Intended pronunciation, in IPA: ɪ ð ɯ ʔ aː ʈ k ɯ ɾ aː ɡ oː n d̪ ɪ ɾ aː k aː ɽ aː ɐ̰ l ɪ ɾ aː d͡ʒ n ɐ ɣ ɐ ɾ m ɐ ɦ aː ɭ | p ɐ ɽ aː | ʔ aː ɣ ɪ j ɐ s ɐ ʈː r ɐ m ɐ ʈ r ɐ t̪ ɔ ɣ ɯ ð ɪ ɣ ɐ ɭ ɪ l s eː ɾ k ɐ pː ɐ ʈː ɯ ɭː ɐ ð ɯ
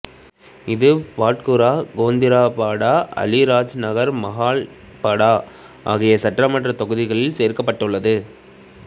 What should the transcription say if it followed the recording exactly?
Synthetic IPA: ɪ ð ɯ p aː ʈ k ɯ ɾ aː ɡ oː n d̪ ɪ ɾ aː p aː ɽ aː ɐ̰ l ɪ ɾ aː d͡ʒ n ɐ ɣ ɐ ɾ m ɐ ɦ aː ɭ | p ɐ ɽ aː | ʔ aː ɣ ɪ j ɐ s ɐ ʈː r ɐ m ɐ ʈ r ɐ t̪ ɔ ɣ ɯ ð ɪ ɣ ɐ ɭ ɪ l s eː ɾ k ɐ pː ɐ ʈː ɯ ɭː ɐ ð ɯ